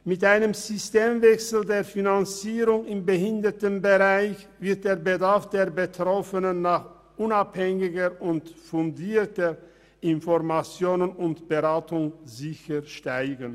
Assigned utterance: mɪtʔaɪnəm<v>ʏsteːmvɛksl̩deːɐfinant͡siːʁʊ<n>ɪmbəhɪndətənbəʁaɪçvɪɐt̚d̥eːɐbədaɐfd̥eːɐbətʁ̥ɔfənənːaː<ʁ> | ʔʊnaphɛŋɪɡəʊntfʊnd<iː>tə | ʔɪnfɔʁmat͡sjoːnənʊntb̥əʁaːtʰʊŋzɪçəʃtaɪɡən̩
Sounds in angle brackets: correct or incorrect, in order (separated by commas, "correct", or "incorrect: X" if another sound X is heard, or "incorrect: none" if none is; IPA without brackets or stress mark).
incorrect: z, incorrect: ŋ, incorrect: χ, correct